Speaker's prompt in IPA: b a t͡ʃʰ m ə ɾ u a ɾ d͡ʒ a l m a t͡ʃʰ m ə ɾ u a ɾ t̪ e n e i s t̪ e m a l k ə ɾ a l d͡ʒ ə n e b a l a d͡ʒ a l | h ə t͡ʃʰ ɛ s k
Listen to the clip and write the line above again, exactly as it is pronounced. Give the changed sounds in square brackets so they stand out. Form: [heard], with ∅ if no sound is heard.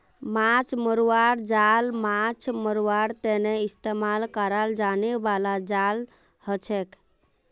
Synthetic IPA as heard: [m] a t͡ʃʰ m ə ɾ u a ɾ d͡ʒ a l m a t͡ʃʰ m ə ɾ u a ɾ t̪ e n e i s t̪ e m a l k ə ɾ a l d͡ʒ [a] n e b a l a d͡ʒ a l | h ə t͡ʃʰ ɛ [∅] k